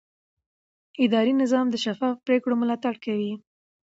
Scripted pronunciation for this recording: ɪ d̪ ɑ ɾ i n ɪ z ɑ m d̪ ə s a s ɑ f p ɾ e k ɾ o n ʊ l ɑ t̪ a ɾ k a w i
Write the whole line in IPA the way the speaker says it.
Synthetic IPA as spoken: ɪ d̪ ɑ ɾ i n ɪ z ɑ m d̪ ə ʃ a f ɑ f p ɾ e k ɽ o m ʊ l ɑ t̪ a ɽ k a w i